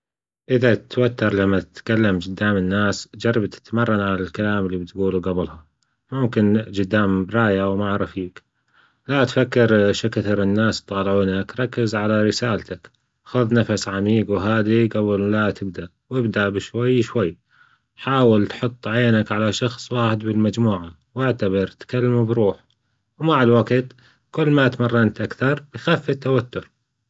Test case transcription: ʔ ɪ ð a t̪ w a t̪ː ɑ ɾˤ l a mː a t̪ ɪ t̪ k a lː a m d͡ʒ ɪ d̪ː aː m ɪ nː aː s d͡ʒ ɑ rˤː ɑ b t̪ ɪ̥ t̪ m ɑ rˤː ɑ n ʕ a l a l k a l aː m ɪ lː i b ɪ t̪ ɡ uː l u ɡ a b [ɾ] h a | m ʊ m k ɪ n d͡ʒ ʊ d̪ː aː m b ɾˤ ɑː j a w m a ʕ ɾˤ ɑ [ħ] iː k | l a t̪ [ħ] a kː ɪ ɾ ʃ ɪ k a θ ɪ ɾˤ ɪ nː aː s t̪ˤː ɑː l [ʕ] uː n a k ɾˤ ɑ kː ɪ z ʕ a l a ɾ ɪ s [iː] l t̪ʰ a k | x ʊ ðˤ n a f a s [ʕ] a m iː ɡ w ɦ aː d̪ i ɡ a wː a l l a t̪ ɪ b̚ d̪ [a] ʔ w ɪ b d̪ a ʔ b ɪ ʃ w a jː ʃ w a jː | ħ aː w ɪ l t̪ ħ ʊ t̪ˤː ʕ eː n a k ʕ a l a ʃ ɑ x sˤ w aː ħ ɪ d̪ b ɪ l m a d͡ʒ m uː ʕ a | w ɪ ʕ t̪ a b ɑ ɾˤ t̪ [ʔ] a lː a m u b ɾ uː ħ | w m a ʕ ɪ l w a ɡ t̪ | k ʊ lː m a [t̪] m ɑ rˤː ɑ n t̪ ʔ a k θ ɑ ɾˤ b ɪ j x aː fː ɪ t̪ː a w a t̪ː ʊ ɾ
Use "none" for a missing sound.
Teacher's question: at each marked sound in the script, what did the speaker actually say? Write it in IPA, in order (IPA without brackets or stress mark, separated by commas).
l, f, f, ʕ, aː, ʕ, a, k, t̪